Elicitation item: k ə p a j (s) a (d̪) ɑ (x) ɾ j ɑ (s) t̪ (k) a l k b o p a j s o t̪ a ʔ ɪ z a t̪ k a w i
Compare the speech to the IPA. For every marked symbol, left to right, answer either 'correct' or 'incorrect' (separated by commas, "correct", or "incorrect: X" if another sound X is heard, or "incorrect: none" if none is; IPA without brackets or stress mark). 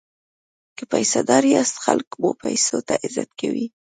correct, correct, incorrect: none, correct, incorrect: x